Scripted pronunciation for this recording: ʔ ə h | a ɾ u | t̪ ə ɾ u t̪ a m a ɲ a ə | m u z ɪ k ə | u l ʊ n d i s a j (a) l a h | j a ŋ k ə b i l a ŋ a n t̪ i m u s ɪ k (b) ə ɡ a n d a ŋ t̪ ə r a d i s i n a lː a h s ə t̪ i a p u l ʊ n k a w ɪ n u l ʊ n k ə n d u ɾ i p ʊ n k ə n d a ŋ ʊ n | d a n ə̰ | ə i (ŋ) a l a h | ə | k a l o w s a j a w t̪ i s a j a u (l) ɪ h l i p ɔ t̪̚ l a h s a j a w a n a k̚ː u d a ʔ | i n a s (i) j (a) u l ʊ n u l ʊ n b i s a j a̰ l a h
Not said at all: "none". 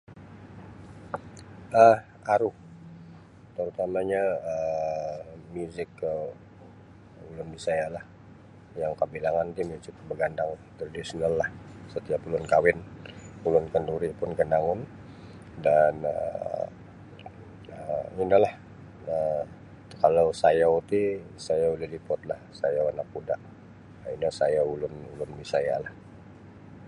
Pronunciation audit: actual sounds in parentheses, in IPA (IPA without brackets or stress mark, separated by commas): a, b, n, l, a, a